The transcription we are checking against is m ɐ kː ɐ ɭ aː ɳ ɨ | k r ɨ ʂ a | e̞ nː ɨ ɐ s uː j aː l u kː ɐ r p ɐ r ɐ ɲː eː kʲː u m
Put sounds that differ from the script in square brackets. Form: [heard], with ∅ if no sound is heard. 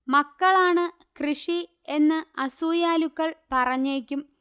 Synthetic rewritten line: m ɐ kː ɐ ɭ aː ɳ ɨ | k r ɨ ʂ [i] | e̞ nː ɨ ɐ s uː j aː l u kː ɐ [ɭ] p ɐ r ɐ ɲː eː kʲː u m